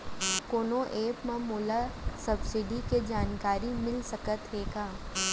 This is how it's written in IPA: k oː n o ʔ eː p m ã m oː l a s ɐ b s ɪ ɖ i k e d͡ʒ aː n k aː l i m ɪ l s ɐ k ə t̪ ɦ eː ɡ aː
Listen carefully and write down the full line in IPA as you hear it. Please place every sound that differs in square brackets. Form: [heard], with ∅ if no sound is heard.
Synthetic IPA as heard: k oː n o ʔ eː p m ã m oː l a s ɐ b s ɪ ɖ i k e d͡ʒ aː n k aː [ɾ] i m ɪ l s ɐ k ə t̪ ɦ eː ɡ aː